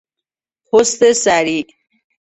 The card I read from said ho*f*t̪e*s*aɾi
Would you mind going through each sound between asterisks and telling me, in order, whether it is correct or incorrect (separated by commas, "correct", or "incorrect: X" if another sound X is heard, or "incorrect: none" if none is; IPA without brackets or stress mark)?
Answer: incorrect: s, correct